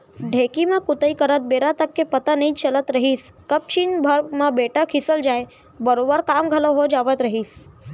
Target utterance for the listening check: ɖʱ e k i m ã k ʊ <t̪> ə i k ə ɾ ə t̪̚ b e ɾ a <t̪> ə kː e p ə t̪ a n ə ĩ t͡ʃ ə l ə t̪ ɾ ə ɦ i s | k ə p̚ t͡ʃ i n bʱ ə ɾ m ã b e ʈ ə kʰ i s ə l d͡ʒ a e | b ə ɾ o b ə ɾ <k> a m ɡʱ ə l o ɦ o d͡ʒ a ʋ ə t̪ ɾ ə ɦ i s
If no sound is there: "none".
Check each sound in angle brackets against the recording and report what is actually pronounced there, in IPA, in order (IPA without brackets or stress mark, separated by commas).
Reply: t̪, t̪, k